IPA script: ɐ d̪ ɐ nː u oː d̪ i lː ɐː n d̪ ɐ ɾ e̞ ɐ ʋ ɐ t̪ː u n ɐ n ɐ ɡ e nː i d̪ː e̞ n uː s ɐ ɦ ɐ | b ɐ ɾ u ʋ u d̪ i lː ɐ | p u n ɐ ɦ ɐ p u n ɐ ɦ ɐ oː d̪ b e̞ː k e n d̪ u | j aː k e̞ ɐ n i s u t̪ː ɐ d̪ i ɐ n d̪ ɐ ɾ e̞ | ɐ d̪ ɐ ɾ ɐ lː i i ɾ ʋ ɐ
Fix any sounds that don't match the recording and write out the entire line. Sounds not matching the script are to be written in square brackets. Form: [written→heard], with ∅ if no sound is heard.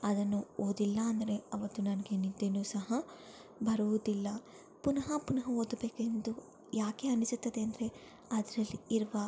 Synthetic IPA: ɐ d̪ ɐ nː u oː d̪ i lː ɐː n d̪ ɐ ɾ e̞ ɐ ʋ ɐ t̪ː u n ɐ n ɐ ɡ e [nː→n] i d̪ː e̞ n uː s ɐ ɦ ɐ | b ɐ ɾ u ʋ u d̪ i lː ɐ | p u n ɐ ɦ ɐ p u n ɐ ɦ ɐ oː d̪ b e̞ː k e n d̪ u | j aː k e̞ ɐ n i s u t̪ː ɐ d̪ [i→e] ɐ n d̪ ɐ ɾ e̞ | ɐ d̪ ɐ ɾ ɐ lː i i ɾ ʋ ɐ

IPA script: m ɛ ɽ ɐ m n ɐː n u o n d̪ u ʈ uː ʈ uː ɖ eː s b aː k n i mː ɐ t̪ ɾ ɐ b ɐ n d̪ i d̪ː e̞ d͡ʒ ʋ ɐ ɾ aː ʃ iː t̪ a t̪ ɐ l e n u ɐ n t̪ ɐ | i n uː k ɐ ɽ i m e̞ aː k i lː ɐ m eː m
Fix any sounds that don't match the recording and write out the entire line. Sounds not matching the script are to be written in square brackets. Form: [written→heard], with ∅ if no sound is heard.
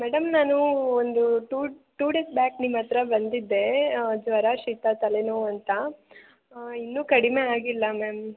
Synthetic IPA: m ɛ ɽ ɐ m n [ɐː→aː] n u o n d̪ u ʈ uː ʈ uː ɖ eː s b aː k n i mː ɐ t̪ ɾ ɐ b ɐ n d̪ i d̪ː e̞ d͡ʒ ʋ ɐ ɾ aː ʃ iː t̪ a t̪ ɐ l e n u ɐ n t̪ ɐ | i [n→nː] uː k ɐ ɽ i m e̞ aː [k→ɡ] i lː ɐ m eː m

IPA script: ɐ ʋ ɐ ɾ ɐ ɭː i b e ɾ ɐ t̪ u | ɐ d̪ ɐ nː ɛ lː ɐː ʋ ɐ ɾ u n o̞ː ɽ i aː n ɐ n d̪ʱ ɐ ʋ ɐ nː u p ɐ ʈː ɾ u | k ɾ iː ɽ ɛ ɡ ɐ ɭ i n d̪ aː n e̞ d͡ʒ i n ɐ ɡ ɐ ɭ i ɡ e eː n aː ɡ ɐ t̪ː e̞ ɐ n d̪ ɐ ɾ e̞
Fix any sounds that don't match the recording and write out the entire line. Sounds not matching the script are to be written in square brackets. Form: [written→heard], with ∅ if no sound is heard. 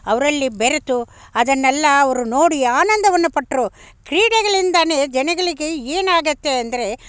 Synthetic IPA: ɐ ʋ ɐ ɾ ɐ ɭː i b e ɾ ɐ t̪ u | ɐ d̪ ɐ nː ɛ lː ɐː ʋ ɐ ɾ u n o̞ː ɽ i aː n ɐ n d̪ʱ ɐ ʋ ɐ nː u p ɐ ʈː ɾ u | k ɾ iː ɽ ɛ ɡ ɐ ɭ i n d̪ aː n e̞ d͡ʒ [i→ɛ] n ɐ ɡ ɐ ɭ i ɡ e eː n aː ɡ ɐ t̪ː e̞ ɐ n d̪ ɐ ɾ e̞

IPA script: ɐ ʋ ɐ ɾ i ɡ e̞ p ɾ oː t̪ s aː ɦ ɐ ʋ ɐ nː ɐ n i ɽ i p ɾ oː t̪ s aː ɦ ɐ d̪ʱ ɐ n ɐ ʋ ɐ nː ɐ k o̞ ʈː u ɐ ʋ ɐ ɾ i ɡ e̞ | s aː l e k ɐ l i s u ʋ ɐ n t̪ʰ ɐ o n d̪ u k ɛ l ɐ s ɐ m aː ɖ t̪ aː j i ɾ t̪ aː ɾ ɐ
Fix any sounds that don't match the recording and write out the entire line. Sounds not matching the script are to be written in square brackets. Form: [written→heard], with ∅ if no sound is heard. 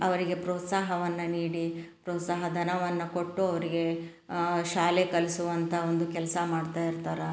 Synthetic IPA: ɐ ʋ ɐ ɾ i ɡ e̞ p ɾ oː t̪ s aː ɦ ɐ ʋ ɐ nː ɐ n [i→iː] ɽ i p ɾ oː t̪ s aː ɦ ɐ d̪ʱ ɐ n ɐ ʋ ɐ nː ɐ k o̞ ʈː u ɐ ʋ ɐ ɾ i ɡ e̞ | [s→ʃ] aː l e k ɐ l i s u ʋ ɐ n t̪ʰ ɐ o n d̪ u k ɛ l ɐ s ɐ m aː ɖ t̪ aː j i ɾ t̪ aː ɾ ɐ

